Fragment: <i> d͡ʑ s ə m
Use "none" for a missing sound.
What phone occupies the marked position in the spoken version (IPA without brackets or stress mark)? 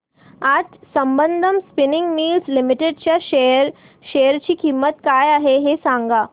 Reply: a